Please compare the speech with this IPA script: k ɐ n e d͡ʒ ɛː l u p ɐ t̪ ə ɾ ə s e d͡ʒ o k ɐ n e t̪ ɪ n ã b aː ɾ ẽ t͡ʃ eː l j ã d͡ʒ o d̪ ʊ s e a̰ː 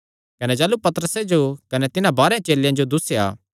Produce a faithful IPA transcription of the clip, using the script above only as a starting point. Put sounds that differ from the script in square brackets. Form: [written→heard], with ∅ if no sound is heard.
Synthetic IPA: k ɐ n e d͡ʒ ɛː l u p ɐ t̪ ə ɾ ə s e d͡ʒ o k ɐ n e t̪ ɪ n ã b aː ɾ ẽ t͡ʃ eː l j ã d͡ʒ o d̪ ʊ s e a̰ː